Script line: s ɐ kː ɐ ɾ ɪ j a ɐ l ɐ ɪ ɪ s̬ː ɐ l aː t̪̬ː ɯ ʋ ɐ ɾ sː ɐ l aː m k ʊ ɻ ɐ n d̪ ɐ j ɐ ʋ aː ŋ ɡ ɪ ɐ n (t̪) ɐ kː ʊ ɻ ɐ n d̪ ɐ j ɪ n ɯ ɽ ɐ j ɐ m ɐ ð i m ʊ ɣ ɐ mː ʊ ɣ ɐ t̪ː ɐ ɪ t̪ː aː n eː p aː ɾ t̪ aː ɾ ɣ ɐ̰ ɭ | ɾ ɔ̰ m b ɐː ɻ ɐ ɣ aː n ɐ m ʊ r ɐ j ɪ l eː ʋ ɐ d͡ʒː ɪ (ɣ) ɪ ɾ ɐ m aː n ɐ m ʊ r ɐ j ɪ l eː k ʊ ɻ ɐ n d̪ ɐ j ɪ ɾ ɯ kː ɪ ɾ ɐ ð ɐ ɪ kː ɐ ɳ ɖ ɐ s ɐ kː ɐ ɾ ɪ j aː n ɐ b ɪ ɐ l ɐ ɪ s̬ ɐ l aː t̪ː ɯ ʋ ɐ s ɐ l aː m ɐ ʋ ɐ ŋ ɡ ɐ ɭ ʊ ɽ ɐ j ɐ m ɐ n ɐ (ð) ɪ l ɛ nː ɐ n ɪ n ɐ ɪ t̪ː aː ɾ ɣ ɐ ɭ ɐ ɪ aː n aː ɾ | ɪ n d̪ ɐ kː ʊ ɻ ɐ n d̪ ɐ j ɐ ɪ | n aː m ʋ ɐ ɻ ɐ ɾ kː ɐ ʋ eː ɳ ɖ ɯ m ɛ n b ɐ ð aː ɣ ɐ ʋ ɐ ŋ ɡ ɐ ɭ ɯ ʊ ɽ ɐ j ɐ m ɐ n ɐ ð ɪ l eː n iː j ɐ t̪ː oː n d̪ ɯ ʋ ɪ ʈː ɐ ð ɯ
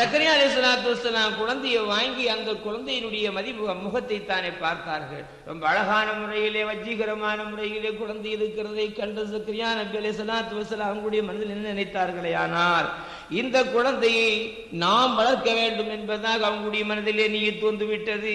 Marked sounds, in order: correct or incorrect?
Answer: incorrect, correct, correct

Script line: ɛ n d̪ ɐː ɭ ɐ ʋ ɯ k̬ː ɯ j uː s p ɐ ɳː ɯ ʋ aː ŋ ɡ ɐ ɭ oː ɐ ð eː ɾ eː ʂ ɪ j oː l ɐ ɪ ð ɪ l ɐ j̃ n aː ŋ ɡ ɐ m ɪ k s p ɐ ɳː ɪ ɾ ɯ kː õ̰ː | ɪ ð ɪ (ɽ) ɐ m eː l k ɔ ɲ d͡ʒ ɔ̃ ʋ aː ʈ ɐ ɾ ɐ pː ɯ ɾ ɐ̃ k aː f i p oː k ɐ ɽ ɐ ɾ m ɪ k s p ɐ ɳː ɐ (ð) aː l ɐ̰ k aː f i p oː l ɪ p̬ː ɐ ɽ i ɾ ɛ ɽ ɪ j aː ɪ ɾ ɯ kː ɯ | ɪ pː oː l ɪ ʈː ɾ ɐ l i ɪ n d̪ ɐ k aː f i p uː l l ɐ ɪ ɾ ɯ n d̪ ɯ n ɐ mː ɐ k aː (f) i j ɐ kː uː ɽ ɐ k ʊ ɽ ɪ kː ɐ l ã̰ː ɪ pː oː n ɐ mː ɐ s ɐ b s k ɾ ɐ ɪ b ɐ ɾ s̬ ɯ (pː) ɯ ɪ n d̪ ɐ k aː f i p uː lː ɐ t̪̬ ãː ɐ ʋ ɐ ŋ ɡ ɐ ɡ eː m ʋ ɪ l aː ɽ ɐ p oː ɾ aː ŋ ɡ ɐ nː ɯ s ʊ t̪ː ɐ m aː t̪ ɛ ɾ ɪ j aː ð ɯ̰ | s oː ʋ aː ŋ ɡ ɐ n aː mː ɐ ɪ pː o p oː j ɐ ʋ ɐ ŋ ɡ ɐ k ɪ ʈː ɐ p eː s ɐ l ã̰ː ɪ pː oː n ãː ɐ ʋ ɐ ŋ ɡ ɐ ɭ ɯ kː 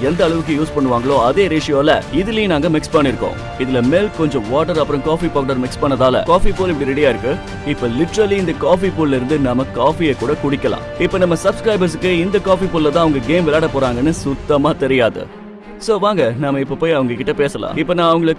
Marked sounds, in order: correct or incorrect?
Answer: incorrect, correct, correct, incorrect

